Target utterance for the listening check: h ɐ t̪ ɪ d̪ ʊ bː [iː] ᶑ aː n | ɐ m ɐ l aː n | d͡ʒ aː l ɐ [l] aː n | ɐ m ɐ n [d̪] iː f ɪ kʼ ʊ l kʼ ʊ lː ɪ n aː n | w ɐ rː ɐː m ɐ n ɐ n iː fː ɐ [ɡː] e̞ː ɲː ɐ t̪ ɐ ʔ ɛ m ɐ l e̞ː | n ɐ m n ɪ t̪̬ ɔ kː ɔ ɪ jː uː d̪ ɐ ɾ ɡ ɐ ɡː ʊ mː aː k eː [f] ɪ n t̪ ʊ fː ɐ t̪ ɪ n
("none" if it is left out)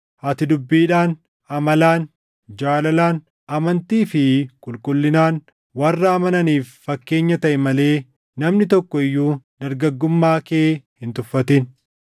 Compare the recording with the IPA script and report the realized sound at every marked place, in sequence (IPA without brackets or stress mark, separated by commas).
iː, l, t̪, kː, h